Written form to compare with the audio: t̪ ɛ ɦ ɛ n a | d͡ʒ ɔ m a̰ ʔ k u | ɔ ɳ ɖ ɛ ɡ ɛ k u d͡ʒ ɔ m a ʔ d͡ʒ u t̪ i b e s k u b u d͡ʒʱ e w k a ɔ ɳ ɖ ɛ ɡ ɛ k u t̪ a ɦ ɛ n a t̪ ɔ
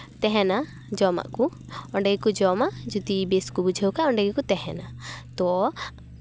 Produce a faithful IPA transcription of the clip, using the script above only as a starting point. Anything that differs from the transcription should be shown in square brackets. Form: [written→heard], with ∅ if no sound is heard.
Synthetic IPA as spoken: t̪ ɛ ɦ ɛ n a | d͡ʒ ɔ m a̰ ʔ k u | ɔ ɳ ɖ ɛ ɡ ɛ k u d͡ʒ ɔ m a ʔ d͡ʒ u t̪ i b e s k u b u d͡ʒʱ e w k a ɔ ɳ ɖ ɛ ɡ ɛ k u t̪ [a→ɛ] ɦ ɛ n a t̪ ɔ